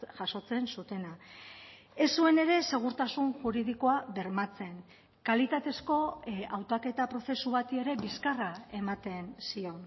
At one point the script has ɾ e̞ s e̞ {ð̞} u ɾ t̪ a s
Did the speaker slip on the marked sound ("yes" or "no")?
yes